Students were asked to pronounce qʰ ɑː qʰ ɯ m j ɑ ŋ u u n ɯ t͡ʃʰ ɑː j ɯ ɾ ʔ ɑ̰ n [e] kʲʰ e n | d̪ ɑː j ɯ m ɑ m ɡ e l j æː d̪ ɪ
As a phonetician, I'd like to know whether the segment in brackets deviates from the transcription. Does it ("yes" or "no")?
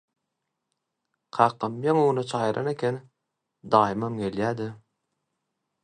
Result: no